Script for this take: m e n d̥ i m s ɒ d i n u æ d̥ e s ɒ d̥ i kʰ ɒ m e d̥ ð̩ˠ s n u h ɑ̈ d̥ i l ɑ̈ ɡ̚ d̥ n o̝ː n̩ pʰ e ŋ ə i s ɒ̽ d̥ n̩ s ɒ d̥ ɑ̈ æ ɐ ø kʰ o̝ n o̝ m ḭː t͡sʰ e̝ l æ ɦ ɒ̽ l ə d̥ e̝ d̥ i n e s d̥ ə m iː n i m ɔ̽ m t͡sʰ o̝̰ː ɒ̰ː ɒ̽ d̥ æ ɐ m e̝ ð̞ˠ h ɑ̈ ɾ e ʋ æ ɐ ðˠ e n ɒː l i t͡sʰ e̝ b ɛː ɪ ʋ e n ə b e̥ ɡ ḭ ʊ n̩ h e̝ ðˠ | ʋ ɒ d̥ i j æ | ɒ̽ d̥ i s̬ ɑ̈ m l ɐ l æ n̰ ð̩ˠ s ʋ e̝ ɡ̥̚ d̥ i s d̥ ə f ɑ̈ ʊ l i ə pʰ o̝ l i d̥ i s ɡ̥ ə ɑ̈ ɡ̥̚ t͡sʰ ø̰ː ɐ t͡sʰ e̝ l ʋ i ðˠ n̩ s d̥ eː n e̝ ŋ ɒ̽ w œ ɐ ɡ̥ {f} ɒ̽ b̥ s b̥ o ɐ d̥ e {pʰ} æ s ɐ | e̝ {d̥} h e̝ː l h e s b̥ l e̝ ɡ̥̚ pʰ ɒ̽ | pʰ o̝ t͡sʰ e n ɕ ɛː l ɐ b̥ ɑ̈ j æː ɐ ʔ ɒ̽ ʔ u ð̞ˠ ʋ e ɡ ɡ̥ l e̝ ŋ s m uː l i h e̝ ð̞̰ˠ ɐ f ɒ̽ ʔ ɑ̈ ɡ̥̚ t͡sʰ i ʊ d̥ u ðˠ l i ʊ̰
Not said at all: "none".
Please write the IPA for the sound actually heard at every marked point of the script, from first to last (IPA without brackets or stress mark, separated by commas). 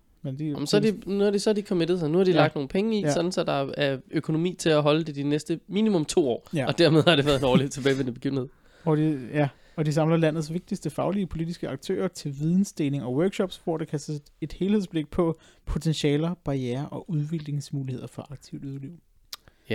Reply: ɕ, kʰ, d̥